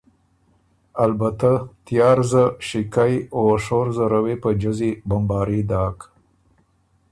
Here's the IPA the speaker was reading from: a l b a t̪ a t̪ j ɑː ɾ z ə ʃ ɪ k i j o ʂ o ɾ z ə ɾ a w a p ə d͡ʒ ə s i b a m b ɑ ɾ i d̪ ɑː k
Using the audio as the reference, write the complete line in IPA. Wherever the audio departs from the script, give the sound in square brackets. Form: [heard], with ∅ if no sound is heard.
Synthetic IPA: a l b a t̪ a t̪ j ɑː ɾ z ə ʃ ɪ k [a] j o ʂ o ɾ z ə ɾ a w [e] p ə d͡ʒ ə [z] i b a m b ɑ ɾ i d̪ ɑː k

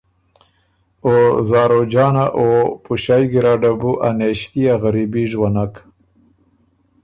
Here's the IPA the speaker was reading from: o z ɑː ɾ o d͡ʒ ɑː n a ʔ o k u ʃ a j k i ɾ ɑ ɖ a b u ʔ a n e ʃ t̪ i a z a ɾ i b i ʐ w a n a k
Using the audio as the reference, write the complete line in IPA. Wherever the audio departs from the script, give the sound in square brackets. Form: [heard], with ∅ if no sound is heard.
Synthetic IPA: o z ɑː ɾ o d͡ʒ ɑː n a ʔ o [p] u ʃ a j [ɡ] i ɾ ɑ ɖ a b u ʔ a n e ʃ t̪ i a [ɣ] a ɾ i b i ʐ w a n a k

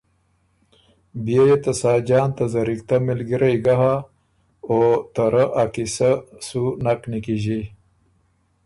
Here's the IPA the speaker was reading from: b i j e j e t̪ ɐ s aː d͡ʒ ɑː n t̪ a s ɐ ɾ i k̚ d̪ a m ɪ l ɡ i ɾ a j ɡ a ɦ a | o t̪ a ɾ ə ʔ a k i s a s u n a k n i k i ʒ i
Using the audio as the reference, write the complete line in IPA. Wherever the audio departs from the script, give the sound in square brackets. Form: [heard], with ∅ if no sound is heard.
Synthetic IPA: b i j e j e t̪ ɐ s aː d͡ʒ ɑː n t̪ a [z] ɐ ɾ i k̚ [t̪] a m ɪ l ɡ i ɾ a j ɡ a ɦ a | o t̪ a ɾ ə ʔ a k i s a s u n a k n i k i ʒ i

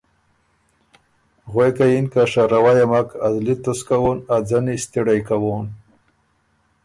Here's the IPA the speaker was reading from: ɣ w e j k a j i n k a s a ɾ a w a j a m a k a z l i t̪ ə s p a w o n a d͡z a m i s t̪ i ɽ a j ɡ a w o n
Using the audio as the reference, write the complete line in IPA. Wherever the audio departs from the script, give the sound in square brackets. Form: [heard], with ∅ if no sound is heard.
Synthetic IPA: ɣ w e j k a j i n k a [ʂ] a ɾ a w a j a m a k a z l i t̪ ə s [k] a w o n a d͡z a [n] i s t̪ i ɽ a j [k] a w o n

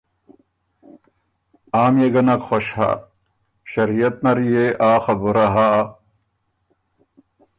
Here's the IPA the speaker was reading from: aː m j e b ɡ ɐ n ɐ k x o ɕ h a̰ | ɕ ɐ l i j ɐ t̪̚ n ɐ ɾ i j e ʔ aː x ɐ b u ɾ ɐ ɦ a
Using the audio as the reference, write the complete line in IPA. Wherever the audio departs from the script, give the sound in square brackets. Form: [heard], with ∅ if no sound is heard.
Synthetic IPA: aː m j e [∅] ɡ ɐ n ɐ k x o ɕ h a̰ | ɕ ɐ [ɾ] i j ɐ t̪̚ n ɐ ɾ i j e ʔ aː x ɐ b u ɾ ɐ ɦ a

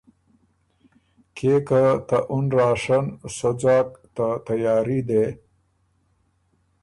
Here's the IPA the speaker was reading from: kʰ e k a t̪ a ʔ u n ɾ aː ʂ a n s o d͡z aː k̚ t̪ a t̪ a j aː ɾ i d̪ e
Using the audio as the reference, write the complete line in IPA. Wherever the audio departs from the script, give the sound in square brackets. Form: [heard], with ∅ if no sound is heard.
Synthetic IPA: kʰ e k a t̪ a ʔ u n ɾ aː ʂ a n s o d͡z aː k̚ t̪ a t̪ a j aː ɾ i d̪ e

